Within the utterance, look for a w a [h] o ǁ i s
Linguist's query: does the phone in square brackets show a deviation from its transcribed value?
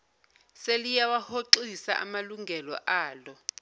no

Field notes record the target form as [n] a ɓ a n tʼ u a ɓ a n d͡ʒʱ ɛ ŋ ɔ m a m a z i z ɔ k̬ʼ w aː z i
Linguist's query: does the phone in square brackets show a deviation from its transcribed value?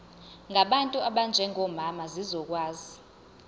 yes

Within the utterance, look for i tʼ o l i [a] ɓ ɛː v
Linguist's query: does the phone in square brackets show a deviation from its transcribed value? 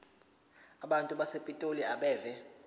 no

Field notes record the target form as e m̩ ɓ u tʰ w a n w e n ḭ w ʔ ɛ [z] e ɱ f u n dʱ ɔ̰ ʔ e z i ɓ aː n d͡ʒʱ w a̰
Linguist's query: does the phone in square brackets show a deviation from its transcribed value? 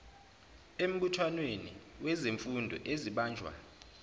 no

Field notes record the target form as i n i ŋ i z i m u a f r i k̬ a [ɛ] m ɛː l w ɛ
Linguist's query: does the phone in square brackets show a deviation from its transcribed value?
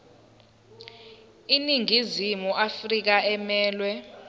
no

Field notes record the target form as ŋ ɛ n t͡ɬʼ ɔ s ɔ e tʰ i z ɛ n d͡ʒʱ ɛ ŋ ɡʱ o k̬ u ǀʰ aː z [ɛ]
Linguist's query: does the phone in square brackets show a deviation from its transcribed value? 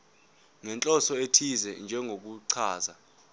yes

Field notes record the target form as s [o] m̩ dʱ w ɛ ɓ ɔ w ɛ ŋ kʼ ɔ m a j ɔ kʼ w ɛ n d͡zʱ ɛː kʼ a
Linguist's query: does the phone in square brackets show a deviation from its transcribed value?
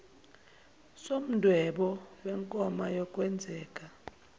no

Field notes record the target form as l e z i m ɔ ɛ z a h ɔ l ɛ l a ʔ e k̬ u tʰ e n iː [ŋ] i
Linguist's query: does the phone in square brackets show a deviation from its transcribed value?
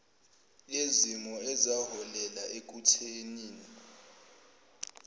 yes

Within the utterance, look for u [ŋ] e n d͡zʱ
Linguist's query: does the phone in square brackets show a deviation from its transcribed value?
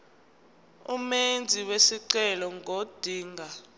yes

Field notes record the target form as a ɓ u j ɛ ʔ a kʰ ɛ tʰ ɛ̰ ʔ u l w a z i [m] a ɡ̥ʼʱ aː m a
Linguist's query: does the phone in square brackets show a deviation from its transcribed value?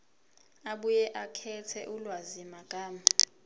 no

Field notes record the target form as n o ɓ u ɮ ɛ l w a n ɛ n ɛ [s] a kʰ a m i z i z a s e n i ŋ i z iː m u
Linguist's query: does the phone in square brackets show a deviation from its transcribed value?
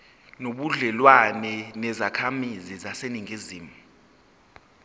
yes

